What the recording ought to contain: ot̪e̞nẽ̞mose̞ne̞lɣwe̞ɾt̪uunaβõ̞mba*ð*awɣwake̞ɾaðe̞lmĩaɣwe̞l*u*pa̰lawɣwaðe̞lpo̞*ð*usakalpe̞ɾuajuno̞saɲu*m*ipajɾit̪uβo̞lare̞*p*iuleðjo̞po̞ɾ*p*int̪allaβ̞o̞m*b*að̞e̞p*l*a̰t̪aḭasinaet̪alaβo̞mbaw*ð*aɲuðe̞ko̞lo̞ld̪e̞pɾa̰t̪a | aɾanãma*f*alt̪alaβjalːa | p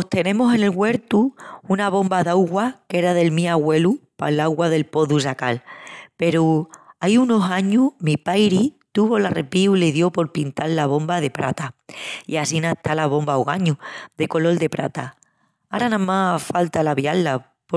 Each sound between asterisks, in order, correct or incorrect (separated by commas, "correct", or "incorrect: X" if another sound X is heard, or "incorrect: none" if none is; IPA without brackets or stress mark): correct, correct, correct, correct, correct, correct, correct, incorrect: ɾ, incorrect: ɣ, correct